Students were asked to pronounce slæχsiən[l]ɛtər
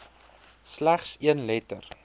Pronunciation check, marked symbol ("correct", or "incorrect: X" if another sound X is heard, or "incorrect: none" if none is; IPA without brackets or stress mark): correct